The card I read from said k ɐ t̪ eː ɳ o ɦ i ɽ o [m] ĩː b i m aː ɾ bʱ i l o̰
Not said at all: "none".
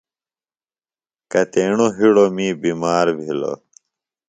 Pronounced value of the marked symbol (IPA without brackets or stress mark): m